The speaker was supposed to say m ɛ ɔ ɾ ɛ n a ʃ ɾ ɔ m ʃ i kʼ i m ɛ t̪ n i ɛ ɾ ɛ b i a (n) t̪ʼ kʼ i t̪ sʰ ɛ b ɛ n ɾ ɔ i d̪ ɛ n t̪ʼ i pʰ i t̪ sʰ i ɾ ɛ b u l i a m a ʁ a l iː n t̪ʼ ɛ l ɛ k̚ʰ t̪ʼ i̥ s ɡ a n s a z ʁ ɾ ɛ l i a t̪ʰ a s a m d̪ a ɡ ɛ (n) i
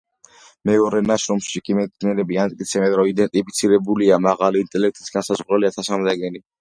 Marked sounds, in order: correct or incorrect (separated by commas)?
correct, correct